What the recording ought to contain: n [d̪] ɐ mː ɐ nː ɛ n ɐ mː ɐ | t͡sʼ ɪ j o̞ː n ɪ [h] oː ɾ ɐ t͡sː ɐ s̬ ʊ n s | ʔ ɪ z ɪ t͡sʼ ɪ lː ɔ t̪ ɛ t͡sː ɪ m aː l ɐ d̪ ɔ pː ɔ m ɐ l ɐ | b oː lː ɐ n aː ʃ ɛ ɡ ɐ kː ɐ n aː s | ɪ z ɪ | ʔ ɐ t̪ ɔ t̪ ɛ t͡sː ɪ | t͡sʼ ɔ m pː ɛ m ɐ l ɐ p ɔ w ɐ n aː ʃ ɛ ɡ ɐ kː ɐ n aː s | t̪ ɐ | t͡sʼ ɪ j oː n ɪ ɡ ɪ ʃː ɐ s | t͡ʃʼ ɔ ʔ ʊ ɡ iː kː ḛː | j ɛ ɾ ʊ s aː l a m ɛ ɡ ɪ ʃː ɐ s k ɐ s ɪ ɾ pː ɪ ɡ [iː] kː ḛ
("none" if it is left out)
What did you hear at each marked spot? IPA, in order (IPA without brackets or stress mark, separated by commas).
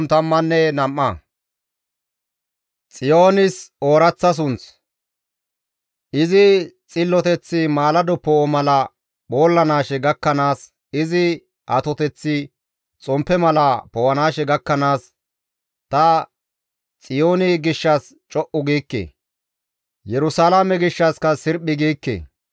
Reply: t̪, s, iː